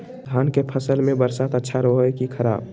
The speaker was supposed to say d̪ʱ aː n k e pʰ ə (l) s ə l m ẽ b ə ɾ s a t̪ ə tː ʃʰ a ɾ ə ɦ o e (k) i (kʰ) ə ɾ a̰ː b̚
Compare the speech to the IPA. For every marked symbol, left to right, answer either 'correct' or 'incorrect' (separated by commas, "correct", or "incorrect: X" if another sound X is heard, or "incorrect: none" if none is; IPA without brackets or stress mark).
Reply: incorrect: none, correct, correct